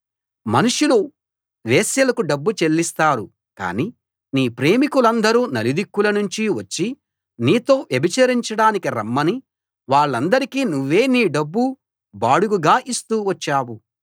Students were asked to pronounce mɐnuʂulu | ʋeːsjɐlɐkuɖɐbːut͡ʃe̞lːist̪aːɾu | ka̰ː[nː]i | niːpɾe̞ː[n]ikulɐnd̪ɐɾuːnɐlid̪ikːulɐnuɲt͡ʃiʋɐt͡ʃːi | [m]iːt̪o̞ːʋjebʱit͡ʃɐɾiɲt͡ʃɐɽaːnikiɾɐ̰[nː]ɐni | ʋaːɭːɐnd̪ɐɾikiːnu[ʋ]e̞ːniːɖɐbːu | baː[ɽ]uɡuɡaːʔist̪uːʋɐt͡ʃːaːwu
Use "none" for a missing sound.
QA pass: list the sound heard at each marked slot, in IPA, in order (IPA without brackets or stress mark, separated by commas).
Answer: n, m, n, mː, ʋː, ɽ